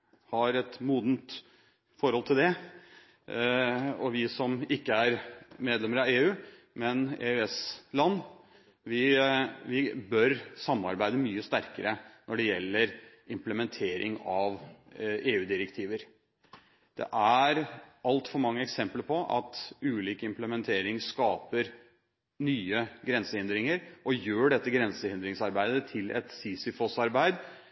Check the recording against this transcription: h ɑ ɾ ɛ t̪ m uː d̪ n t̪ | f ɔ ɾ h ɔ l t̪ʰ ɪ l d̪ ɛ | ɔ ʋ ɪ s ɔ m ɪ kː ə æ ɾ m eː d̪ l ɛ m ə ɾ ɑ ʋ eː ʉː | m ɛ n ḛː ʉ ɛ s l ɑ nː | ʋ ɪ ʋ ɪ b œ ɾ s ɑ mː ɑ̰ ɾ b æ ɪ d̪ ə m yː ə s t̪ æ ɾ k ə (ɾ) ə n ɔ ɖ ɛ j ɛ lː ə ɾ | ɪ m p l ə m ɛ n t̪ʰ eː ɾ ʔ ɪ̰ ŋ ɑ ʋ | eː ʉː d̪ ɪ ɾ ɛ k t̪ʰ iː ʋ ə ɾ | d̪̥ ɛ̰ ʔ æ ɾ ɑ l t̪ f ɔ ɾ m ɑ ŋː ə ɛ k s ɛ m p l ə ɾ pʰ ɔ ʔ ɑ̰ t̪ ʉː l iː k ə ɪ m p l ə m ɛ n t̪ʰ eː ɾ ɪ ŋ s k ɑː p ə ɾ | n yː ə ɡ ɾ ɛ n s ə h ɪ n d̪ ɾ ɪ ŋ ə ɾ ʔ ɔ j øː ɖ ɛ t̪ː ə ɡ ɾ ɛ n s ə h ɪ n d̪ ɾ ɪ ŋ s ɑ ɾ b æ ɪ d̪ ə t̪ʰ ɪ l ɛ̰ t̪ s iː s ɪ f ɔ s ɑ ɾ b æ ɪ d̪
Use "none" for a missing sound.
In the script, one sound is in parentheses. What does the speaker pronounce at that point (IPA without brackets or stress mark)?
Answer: ɾ